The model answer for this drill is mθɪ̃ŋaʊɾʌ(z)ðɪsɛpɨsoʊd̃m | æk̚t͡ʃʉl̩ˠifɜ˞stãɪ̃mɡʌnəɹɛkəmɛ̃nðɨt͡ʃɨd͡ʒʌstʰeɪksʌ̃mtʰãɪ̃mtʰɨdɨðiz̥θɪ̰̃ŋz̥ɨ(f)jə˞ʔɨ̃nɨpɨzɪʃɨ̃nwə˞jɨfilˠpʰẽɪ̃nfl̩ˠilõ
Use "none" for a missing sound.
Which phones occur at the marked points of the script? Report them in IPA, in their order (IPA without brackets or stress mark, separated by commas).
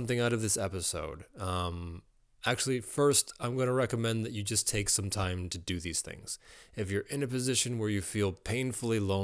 v, f